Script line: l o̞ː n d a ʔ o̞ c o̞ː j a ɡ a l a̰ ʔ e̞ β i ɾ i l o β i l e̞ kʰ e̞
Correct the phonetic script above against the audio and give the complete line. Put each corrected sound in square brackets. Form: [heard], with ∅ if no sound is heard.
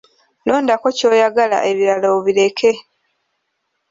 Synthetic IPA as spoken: l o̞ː n d a [k] o̞ c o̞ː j a ɡ a l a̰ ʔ e̞ β i ɾ [a] l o β i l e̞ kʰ e̞